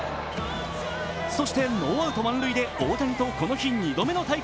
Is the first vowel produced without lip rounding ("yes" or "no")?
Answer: no